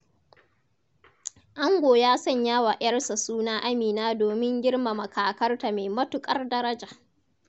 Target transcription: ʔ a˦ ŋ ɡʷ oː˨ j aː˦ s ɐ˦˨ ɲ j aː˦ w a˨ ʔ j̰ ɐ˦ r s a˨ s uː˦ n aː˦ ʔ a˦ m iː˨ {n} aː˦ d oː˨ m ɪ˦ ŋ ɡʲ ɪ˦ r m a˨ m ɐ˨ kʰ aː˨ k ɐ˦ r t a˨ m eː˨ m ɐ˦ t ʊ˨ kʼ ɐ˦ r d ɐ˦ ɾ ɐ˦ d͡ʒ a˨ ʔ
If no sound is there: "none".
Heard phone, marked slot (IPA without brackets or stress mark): n